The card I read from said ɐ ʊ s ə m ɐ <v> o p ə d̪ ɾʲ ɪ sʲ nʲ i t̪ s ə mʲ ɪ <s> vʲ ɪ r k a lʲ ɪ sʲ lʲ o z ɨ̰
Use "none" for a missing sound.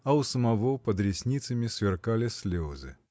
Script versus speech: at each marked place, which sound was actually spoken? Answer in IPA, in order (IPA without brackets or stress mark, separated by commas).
v, s